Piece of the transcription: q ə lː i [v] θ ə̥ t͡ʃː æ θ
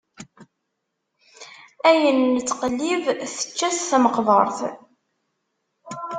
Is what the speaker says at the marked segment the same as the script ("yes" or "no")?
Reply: yes